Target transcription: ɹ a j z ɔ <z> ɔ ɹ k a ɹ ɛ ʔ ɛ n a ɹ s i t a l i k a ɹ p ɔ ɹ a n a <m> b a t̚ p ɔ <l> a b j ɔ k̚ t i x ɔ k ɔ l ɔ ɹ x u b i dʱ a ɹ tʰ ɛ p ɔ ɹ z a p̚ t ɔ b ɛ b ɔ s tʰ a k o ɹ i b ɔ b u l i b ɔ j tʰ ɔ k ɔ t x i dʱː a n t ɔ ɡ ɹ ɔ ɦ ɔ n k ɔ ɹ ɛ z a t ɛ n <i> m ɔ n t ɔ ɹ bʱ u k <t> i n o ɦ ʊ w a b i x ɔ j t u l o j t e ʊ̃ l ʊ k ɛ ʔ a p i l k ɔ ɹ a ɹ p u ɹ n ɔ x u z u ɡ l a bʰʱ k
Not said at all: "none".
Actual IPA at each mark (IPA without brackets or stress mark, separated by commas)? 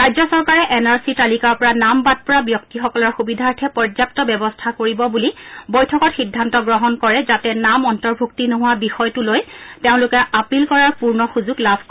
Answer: s, m, ɹ, a, t